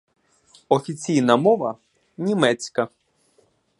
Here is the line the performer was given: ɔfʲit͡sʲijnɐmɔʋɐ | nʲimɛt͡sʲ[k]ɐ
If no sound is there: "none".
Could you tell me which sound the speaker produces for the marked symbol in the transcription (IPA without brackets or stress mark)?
k